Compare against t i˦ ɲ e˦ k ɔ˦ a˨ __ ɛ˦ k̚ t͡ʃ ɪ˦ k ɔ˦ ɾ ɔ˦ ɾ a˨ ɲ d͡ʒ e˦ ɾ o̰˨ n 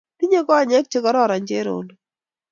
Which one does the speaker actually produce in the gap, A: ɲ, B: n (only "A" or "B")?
A